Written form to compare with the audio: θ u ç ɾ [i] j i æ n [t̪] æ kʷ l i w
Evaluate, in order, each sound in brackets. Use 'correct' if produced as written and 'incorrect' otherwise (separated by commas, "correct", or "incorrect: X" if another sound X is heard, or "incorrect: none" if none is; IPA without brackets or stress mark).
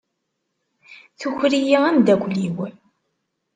correct, incorrect: d̪